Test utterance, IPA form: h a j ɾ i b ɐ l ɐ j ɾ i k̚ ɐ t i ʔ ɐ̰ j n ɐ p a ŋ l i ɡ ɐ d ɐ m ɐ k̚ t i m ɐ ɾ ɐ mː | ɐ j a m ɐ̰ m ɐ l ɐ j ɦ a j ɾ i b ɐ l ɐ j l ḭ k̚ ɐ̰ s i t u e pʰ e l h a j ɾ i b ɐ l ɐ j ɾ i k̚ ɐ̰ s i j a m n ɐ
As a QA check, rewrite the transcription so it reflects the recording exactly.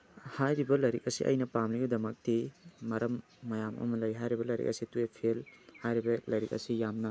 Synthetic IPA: h a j ɾ i b ɐ l ɐ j ɾ i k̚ ɐ s i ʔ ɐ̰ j n ɐ p a m l i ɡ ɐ d ɐ m ɐ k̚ t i m ɐ ɾ ɐ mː | ɐ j a m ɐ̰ m ɐ l ɐ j ɦ a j ɾ i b ɐ l ɐ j ɾ ḭ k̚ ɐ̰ s i t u e pʰ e l h a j ɾ i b ɐ l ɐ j ɾ i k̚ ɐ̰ s i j a m n ɐ